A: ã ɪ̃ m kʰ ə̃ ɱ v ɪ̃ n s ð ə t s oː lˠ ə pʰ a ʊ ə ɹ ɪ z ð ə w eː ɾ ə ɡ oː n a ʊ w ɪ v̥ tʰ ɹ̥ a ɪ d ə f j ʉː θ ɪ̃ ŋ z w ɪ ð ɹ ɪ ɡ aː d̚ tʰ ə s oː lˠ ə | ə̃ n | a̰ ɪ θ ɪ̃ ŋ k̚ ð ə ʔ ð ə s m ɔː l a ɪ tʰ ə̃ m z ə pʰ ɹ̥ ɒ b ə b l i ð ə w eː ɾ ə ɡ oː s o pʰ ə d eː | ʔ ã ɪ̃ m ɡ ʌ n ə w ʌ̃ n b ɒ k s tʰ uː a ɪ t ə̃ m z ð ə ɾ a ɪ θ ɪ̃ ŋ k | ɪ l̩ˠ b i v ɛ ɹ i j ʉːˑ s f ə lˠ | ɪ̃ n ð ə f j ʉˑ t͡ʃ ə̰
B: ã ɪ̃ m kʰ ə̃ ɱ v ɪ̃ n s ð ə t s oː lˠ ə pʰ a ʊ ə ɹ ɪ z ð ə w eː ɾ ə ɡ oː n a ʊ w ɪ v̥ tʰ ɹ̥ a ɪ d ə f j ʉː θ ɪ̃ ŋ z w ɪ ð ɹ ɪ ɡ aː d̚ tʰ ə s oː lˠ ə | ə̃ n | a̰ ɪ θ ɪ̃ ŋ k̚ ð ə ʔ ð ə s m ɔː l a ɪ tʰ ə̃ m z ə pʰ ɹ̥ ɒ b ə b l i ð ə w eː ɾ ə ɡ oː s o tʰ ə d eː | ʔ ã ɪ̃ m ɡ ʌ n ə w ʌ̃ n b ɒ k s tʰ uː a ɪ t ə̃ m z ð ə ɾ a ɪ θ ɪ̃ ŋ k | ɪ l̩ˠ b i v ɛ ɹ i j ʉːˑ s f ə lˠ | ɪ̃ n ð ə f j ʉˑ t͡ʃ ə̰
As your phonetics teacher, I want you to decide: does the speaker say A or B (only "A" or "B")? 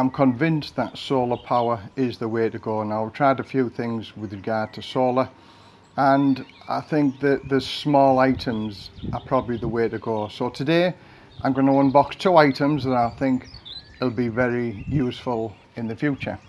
B